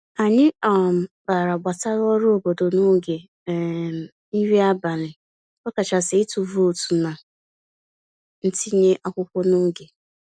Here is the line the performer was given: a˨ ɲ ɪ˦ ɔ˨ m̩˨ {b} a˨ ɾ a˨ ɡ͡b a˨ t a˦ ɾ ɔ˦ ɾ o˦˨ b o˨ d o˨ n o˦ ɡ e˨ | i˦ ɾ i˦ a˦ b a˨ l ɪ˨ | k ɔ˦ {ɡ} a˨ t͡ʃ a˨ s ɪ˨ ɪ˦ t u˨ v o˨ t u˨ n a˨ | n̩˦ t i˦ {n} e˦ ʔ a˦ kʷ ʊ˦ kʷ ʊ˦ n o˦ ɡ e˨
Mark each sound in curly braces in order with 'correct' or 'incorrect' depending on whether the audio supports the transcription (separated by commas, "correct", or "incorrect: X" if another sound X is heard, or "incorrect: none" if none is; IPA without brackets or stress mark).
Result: correct, incorrect: k, incorrect: ɲ